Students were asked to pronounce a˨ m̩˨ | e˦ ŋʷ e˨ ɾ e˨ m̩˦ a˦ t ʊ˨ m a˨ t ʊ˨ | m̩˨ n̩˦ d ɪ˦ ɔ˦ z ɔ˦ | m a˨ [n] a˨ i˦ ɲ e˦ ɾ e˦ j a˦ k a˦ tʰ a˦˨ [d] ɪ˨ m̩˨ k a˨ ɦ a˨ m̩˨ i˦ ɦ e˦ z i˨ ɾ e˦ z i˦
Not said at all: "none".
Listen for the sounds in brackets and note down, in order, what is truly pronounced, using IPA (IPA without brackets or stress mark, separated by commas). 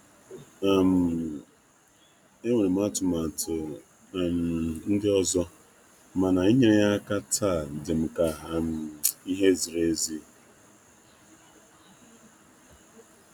n, d